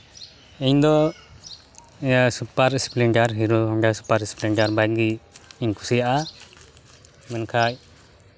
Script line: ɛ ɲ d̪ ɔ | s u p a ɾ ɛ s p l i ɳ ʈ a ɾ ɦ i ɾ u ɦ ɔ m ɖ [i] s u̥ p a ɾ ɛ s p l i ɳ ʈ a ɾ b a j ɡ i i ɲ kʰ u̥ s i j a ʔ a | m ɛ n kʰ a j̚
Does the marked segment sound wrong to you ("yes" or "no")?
yes